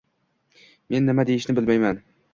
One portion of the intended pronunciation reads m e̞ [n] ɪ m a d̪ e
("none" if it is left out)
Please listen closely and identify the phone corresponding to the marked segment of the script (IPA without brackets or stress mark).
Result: nː